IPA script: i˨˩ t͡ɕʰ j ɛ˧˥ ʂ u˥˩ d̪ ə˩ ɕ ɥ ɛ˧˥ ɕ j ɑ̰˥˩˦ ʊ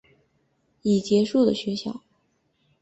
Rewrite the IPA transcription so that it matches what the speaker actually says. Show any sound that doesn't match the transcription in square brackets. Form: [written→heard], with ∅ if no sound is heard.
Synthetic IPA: i˨˩ [t͡ɕʰ→t͡ɕ] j ɛ˧˥ ʂ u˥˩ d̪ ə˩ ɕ ɥ ɛ˧˥ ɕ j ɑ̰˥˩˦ ʊ